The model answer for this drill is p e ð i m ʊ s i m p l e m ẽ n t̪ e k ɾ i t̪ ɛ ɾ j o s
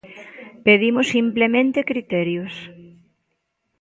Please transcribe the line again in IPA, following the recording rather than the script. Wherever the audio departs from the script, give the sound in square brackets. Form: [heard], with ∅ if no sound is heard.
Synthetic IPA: p e ð i m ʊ s i m p l e m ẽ n t̪ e k ɾ i t̪ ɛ ɾ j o s